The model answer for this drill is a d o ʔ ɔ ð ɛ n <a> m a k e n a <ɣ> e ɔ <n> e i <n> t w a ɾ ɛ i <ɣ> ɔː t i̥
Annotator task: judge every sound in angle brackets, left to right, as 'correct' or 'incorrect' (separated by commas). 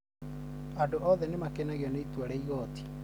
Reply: incorrect, correct, correct, incorrect, correct